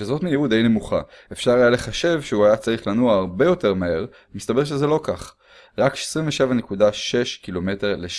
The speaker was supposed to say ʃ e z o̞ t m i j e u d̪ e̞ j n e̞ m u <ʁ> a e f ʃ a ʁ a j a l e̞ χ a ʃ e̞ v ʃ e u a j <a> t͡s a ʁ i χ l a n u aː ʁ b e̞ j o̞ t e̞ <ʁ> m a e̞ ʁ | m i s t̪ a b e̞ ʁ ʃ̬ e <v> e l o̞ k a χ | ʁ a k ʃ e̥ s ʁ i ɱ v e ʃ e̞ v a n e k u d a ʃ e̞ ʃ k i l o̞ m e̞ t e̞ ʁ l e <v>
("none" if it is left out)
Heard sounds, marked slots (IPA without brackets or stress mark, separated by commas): χ, a, ʁ, z, none